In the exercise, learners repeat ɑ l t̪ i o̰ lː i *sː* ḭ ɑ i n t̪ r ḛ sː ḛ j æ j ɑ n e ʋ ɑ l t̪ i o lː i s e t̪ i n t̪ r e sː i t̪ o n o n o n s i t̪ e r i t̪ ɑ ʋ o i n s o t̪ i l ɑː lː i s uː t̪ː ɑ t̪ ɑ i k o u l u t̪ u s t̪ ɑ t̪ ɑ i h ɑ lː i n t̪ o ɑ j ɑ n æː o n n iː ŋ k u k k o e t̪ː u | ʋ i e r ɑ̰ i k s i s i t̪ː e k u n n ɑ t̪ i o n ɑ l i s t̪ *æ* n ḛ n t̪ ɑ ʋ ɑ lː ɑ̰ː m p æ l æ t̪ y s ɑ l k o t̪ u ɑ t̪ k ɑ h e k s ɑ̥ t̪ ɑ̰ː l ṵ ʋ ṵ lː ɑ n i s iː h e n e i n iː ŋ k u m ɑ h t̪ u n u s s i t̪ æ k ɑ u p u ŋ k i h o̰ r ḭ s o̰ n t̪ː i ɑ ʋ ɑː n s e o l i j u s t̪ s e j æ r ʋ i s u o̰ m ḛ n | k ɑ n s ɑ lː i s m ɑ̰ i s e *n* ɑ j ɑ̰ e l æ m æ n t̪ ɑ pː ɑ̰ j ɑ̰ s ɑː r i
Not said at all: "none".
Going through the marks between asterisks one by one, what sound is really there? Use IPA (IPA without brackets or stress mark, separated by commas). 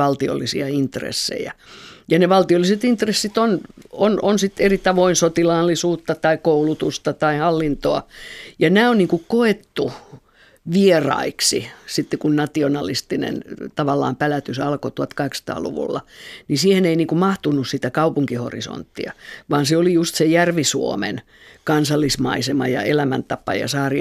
s, i, m